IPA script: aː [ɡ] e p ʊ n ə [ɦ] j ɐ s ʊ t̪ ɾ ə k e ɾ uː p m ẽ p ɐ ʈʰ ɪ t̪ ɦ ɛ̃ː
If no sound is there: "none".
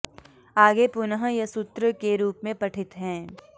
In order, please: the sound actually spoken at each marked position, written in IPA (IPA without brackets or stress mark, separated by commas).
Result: ɡ, ɦ